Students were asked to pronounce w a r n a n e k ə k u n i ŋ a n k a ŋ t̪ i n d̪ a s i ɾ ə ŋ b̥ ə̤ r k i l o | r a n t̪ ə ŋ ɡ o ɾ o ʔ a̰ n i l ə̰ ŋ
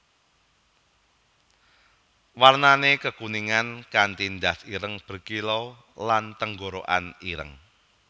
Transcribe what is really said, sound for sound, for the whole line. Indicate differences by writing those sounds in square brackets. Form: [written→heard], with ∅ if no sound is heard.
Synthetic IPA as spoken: w a r n a n e k ə k u n i ŋ a n k a [ŋ→n] t̪ i n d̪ a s i ɾ ə ŋ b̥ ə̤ r k i l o | [r→l] a n t̪ ə ŋ ɡ o ɾ o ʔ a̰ n i [l→ɾ] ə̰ ŋ